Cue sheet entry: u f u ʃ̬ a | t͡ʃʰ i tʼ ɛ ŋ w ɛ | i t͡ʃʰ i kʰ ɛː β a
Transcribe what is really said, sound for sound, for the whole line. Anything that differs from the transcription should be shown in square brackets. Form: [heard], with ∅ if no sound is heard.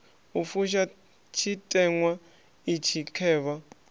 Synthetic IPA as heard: u f u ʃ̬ a | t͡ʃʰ i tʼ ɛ ŋ w [a] | i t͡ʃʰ i kʰ ɛː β a